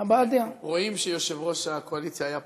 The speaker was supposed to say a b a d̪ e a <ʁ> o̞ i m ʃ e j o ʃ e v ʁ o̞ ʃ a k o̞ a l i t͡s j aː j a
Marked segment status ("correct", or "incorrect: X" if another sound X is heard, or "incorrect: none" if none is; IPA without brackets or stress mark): correct